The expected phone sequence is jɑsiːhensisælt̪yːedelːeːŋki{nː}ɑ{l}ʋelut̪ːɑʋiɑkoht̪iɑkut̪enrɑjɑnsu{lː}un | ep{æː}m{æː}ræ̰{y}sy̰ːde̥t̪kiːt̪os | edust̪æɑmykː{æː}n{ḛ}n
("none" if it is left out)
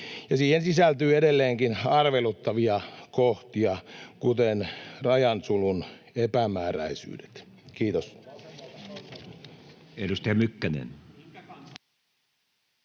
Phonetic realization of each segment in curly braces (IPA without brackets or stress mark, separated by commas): n, r, l, æ, æː, i, æ, ḛ